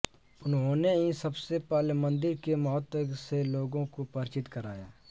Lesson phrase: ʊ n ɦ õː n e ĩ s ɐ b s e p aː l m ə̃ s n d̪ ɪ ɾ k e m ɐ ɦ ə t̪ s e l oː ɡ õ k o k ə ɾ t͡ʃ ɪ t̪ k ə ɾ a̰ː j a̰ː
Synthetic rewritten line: ʊ n ɦ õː n e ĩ s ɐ b s e p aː l m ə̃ n d̪ ɪ ɾ k e m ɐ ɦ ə t̪ s e l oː ɡ õ k o p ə ɾ t͡ʃ ɪ t̪ k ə ɾ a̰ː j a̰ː